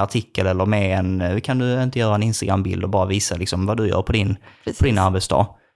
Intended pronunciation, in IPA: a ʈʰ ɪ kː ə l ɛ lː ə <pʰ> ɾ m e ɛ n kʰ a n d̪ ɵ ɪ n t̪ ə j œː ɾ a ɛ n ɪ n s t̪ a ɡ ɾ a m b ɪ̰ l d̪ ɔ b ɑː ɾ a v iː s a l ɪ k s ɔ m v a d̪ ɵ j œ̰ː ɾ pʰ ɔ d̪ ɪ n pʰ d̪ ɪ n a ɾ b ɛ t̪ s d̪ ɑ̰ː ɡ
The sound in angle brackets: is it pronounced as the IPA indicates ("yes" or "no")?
no